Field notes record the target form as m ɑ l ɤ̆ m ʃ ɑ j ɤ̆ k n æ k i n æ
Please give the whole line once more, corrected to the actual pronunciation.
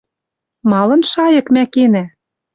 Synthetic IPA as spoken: m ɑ l ɤ̆ n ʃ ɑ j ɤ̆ k m æ k e n æ

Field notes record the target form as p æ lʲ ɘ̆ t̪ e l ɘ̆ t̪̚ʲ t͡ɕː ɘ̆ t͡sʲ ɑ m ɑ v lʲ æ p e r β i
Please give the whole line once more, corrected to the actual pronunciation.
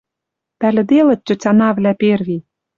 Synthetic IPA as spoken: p æ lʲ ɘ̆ d̪ e l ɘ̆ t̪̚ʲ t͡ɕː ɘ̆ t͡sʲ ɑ n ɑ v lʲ æ p e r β i

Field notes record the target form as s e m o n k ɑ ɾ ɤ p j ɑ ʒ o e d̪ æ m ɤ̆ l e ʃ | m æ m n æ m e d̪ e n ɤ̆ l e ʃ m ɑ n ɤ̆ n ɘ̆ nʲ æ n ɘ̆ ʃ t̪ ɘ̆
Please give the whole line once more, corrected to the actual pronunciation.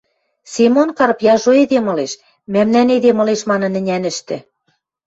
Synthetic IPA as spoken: s e m o n k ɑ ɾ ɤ p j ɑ ʒ o e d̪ e m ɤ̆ l e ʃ | m æ m n æ n e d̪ e m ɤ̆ l e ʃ m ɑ n ɤ̆ n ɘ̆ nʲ æ n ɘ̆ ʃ t̪ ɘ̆

